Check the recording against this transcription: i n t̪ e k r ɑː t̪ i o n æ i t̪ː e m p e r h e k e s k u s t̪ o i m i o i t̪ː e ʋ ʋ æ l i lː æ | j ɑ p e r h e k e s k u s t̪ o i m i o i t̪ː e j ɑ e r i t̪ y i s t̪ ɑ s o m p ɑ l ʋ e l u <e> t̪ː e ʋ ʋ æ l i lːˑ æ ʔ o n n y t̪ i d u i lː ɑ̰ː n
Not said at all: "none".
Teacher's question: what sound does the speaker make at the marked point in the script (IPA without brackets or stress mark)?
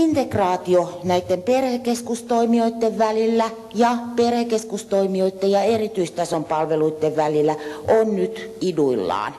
i